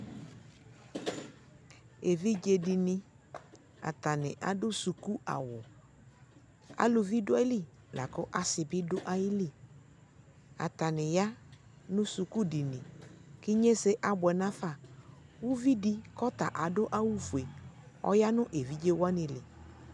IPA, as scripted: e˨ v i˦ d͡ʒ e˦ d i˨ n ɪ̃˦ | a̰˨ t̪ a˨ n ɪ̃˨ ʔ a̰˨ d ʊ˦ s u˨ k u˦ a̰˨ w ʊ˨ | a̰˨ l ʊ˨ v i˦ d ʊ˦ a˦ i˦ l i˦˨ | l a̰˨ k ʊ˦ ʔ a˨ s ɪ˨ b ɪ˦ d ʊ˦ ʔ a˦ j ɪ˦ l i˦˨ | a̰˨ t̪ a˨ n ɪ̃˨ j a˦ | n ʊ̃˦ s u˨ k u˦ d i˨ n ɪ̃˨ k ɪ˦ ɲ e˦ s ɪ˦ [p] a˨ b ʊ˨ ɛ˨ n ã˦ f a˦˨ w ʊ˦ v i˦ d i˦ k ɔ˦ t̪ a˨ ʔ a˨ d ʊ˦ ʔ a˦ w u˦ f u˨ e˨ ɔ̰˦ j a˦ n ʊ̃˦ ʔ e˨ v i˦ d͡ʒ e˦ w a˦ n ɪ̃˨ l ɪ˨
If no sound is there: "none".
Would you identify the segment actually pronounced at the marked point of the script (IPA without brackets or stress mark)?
ʔ